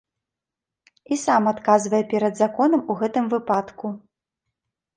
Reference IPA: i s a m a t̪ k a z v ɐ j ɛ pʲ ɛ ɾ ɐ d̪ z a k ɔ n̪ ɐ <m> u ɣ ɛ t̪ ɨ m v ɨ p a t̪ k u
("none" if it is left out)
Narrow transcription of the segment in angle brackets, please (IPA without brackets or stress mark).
m